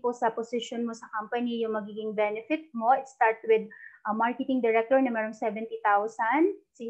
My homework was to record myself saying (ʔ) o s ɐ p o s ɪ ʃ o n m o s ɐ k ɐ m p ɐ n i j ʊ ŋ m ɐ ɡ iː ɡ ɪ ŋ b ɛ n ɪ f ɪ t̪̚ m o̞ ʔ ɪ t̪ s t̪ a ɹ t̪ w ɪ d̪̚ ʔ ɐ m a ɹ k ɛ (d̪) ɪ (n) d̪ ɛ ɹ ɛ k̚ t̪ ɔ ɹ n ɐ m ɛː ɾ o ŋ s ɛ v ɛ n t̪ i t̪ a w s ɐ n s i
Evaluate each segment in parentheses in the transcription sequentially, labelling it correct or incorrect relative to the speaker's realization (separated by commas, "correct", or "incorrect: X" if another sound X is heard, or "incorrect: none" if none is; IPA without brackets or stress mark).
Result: incorrect: p, incorrect: t̪, incorrect: ŋ